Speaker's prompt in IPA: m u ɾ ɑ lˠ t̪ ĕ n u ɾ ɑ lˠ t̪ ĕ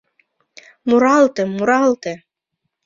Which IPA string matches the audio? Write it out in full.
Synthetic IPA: m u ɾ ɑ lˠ t̪ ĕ m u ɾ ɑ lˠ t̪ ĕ

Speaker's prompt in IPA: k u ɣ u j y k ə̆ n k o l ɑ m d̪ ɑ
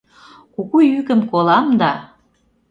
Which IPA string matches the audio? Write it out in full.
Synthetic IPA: k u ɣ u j y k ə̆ m k o l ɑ m d̪ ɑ

